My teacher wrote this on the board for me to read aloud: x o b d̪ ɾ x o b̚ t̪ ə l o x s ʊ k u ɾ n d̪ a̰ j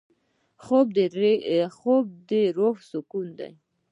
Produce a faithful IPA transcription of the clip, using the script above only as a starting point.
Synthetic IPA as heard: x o b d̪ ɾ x o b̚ d̪ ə ɾ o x s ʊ k u n d̪ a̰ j